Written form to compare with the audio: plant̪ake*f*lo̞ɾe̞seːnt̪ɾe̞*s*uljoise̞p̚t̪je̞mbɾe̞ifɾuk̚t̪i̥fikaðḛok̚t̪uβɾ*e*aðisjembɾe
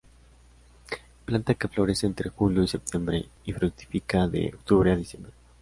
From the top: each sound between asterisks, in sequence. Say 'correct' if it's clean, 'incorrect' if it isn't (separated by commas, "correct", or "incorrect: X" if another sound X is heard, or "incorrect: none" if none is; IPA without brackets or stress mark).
correct, incorrect: x, correct